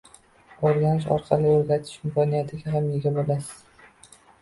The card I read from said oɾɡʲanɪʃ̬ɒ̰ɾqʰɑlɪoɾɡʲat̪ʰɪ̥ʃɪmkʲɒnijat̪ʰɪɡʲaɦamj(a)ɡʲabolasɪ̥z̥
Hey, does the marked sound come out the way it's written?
no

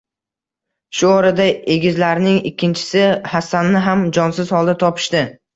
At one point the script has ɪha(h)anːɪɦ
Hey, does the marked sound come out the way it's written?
no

